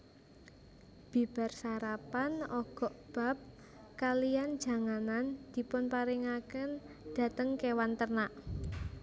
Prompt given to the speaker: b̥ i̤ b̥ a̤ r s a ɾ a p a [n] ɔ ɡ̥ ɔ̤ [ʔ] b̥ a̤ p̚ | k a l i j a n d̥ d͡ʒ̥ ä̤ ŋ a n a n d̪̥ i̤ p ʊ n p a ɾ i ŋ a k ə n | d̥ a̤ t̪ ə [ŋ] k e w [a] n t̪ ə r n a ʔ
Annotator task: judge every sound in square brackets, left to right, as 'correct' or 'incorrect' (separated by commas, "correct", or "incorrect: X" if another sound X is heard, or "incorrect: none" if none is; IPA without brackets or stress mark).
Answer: correct, correct, correct, correct